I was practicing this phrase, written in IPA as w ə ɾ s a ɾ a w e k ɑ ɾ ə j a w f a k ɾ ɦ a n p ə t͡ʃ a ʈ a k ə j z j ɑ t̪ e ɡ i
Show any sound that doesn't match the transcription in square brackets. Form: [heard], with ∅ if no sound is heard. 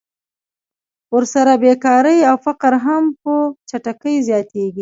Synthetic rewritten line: w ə ɾ s a ɾ a [b] e k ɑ ɾ ə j a w f a [q] ɾ ɦ a [m] p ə t͡ʃ a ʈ a k ə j z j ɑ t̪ e ɡ i